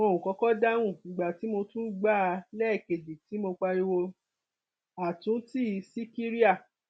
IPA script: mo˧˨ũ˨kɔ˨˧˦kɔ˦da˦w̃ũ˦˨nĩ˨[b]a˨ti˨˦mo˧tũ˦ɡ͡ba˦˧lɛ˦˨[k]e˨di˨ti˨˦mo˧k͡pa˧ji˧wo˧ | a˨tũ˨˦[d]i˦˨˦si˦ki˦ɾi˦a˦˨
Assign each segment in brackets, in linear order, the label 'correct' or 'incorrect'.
incorrect: ɡ͡b, correct, incorrect: t

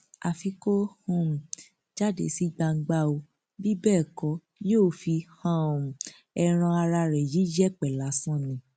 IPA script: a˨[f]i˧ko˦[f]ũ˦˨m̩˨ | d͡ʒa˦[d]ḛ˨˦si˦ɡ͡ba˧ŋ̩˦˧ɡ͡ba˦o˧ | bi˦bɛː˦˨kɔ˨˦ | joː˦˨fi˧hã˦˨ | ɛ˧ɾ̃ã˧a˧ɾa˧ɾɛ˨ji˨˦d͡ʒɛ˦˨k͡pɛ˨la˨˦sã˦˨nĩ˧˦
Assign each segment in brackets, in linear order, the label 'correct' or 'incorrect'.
correct, incorrect: h, correct

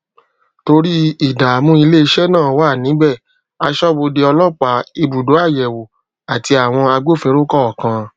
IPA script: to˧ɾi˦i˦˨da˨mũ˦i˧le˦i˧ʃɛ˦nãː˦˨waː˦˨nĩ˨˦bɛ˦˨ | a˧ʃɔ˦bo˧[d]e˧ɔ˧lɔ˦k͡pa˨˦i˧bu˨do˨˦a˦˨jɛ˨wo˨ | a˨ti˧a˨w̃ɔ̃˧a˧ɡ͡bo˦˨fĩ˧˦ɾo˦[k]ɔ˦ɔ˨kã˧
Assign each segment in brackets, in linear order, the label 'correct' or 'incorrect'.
correct, correct

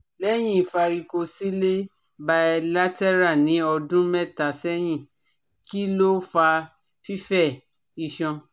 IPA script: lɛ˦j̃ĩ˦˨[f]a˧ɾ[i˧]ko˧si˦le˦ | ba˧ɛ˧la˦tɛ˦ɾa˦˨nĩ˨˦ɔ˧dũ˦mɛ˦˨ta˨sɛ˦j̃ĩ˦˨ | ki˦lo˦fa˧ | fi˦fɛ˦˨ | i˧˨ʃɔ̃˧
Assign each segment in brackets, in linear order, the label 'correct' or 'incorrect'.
correct, correct

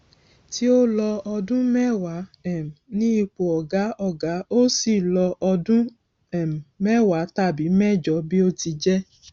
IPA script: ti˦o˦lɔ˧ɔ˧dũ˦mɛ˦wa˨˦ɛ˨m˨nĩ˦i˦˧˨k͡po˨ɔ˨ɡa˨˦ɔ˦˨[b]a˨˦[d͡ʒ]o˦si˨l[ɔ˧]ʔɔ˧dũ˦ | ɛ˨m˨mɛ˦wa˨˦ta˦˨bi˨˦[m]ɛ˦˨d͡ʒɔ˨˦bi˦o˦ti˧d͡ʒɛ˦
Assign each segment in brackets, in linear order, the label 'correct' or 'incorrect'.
incorrect: ɡ, incorrect: none, correct, correct

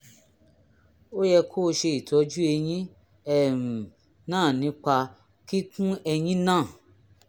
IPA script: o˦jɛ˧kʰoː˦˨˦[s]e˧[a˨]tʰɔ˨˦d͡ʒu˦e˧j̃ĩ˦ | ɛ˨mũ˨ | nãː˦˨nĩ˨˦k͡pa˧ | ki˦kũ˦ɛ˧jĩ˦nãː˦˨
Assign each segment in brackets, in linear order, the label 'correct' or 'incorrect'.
incorrect: ʃ, incorrect: i˨

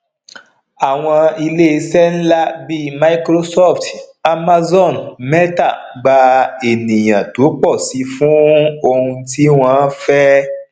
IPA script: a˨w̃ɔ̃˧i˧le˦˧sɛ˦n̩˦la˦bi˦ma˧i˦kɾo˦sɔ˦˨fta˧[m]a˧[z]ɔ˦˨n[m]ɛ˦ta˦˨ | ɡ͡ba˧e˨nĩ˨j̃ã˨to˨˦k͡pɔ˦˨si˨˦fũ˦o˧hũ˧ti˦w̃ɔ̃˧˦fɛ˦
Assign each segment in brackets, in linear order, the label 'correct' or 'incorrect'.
correct, correct, correct

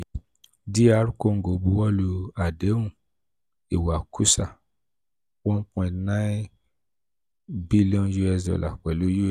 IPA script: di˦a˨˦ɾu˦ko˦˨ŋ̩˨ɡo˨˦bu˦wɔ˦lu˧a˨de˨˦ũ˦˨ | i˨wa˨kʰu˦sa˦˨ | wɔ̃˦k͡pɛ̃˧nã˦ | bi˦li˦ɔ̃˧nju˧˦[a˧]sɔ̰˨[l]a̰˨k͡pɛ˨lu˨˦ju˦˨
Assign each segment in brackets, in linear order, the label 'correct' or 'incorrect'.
incorrect: ɛ˧, correct

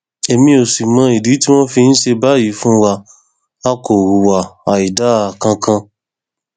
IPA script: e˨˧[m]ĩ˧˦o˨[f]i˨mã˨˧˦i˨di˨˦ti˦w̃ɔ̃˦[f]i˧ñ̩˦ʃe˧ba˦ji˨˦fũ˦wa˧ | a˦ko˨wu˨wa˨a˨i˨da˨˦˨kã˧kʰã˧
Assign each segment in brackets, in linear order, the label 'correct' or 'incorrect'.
correct, incorrect: s, correct

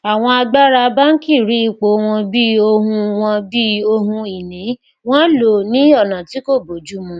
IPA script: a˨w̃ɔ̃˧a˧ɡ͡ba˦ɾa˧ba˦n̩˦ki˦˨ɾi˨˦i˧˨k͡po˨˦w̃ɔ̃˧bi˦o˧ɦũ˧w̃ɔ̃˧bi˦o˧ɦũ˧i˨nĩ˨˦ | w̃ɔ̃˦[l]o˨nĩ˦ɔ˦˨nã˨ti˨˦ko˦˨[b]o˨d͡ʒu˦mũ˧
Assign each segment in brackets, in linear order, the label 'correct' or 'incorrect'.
correct, correct

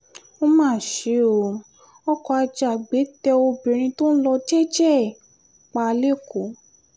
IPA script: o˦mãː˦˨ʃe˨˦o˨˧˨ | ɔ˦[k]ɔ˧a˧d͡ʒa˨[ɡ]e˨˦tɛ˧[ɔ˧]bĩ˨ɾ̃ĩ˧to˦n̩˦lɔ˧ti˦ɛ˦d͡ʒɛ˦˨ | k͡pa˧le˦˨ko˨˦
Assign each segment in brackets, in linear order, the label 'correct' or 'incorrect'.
correct, incorrect: ɡ͡b, incorrect: o˧

